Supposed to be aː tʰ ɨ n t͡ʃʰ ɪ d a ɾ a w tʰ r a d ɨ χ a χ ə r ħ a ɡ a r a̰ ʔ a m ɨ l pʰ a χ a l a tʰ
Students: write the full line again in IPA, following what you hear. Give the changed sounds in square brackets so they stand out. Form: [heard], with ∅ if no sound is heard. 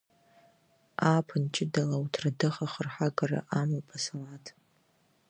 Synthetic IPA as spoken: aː [pʰ] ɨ n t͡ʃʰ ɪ d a [l] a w tʰ r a d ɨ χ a χ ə r ħ a ɡ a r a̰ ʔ a m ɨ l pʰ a [s] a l a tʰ